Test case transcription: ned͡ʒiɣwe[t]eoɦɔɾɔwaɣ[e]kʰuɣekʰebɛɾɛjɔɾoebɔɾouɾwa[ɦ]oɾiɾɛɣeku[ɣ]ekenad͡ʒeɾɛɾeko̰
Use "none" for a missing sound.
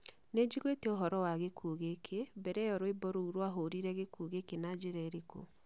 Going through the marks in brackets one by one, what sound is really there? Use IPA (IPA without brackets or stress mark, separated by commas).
t, e, ɦ, ɣ